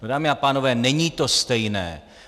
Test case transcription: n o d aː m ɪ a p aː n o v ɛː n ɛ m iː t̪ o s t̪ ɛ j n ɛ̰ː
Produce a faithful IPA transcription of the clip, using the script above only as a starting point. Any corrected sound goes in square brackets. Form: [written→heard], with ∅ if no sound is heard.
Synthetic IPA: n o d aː m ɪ a p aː n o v ɛː n ɛ [m→ɲ] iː t̪ o s t̪ ɛ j n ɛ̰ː